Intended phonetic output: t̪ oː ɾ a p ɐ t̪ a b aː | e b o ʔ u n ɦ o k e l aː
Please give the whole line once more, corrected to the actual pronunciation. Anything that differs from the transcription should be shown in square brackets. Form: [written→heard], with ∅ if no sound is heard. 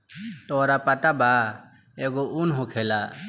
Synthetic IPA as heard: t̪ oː ɾ a p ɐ t̪ a b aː | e [b→ɡ] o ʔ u n ɦ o [k→kʰ] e l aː